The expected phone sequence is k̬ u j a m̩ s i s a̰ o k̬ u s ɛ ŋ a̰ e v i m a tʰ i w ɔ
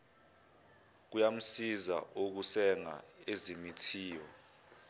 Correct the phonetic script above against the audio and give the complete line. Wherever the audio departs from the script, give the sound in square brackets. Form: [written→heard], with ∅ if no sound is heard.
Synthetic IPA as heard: k̬ u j a m̩ s i [s→z] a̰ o k̬ u s ɛ ŋ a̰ e [v→z] i m [a→i] tʰ [i→iː] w ɔ